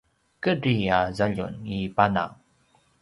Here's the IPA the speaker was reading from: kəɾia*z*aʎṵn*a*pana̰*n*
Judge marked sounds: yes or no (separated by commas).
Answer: yes, no, no